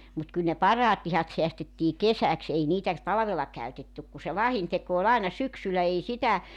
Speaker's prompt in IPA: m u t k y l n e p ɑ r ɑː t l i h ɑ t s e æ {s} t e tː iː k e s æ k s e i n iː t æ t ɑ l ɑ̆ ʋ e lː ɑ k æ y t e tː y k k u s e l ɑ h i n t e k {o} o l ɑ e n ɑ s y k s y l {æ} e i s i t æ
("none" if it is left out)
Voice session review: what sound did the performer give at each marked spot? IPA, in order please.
s, o, æ

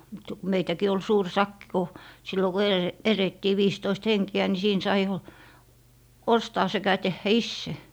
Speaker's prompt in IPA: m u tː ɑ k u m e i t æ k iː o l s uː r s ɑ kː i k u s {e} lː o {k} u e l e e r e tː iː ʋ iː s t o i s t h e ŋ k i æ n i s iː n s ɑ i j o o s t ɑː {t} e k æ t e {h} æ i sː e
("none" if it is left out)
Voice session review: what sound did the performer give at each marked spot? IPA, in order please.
i, k, s, hː

